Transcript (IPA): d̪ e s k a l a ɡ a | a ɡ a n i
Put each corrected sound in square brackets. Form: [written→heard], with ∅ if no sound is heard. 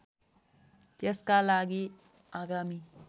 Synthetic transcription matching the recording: [d̪→t̪] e s k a l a ɡ [a→i] | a ɡ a [n→m] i

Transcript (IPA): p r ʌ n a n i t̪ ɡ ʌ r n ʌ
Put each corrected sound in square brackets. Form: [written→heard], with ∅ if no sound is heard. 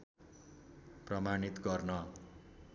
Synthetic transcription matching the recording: p r ʌ [n→m] a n i t̪ ɡ ʌ r n ʌ

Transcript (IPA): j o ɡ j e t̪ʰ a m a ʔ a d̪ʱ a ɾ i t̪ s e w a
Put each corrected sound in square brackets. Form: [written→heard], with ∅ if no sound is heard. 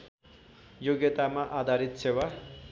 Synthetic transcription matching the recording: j o ɡ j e [t̪ʰ→t̪] a m a ʔ a d̪ʱ a ɾ i t̪ s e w a

